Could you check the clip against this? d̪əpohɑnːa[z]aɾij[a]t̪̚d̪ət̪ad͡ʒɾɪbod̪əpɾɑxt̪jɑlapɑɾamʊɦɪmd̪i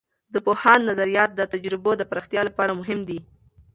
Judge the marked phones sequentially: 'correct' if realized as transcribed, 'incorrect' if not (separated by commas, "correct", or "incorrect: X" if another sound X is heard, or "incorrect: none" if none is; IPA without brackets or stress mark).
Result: correct, incorrect: ɑ